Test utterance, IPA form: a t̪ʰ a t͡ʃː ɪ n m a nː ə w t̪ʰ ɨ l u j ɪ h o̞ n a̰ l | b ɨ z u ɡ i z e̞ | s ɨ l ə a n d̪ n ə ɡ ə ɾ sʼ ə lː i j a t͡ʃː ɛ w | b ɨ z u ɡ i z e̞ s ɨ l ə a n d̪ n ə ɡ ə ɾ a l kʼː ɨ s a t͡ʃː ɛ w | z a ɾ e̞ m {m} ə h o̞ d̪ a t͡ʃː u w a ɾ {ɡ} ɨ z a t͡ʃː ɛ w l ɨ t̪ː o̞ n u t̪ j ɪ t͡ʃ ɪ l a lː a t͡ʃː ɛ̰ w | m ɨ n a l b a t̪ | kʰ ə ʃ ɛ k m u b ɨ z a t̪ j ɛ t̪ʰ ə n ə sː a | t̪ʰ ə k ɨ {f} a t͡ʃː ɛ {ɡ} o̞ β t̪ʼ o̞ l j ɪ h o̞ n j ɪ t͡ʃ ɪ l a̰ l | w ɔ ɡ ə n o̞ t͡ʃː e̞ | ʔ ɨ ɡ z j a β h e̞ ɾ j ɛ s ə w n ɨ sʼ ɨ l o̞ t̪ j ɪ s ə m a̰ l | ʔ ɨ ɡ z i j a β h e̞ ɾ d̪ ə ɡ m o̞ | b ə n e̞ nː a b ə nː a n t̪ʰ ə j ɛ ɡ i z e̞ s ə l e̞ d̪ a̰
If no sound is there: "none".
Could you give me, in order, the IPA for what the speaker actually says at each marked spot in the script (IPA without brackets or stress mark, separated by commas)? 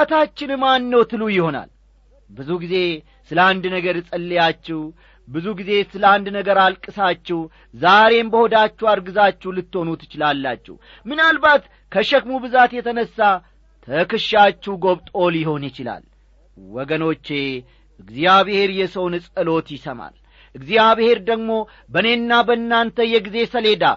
b, ɡ, ʃ, ɡ